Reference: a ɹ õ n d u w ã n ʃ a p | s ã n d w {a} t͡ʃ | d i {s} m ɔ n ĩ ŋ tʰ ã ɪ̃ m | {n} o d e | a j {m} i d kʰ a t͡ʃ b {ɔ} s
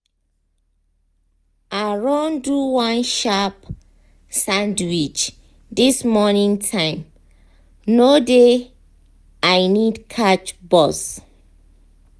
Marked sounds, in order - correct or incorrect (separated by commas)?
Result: incorrect, correct, correct, incorrect, correct